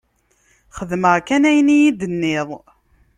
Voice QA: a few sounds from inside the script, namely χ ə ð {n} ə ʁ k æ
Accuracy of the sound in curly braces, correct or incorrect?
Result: incorrect